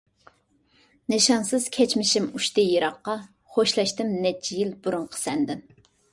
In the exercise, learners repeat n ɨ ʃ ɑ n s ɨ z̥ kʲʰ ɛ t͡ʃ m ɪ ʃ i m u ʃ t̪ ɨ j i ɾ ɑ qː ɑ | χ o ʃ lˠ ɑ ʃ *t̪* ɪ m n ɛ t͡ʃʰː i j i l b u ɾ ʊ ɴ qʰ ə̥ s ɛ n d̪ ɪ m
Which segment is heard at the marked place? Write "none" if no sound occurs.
t̪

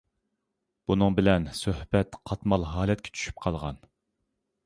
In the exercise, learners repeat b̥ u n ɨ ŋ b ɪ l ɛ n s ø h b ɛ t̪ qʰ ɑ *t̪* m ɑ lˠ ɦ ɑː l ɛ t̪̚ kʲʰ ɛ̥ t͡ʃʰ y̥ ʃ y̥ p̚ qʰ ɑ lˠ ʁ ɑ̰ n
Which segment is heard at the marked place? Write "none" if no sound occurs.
t̪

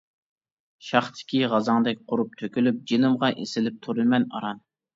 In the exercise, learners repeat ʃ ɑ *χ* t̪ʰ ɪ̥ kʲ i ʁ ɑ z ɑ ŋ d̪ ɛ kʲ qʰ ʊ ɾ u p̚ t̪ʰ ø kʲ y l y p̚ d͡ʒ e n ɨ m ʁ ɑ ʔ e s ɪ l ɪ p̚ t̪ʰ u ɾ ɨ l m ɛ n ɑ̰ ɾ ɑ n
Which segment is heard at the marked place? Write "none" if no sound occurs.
χ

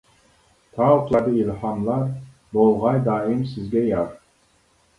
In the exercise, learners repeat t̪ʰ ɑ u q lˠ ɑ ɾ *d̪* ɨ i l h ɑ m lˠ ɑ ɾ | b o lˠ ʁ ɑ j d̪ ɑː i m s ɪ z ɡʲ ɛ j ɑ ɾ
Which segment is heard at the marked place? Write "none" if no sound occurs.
d̪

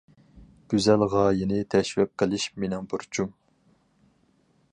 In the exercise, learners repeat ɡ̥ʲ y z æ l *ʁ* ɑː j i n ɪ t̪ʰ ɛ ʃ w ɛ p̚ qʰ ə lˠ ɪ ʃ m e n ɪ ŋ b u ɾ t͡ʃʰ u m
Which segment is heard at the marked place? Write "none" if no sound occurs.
ʁ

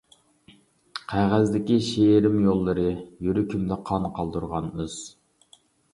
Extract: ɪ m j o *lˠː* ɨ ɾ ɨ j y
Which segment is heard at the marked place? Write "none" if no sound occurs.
lˠː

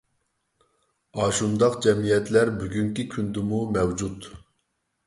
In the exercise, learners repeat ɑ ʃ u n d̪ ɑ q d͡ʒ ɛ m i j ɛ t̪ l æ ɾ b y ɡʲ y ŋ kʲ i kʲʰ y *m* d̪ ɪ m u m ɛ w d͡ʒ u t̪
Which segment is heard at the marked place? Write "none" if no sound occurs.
n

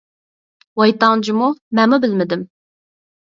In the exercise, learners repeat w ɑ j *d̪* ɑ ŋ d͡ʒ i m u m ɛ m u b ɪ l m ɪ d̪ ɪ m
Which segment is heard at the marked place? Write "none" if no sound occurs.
t̪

